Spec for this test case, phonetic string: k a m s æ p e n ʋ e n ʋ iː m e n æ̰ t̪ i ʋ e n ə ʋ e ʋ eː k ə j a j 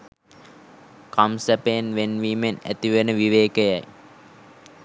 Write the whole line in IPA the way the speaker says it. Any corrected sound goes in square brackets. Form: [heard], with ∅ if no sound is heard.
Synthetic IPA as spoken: k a m s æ p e n ʋ e n ʋ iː m e n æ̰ t̪ i ʋ e n ə ʋ [i] ʋ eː k ə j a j